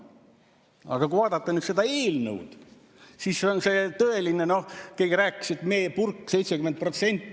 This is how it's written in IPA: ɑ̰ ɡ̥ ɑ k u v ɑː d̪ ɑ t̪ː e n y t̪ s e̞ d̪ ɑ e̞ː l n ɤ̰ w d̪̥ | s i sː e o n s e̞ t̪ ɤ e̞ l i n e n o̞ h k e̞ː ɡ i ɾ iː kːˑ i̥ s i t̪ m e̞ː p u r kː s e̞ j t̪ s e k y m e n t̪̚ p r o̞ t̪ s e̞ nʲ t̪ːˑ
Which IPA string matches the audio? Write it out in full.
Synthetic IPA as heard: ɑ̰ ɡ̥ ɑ k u v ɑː d̪ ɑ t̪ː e n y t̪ s e̞ d̪ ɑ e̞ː l n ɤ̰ w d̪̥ | s i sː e o n s e̞ t̪ ɤ e̞ l i n e n o̞ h k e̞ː ɡ i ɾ æː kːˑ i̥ s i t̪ m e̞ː p u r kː s e̞ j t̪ s e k y m e n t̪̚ p r o̞ t̪ s e̞ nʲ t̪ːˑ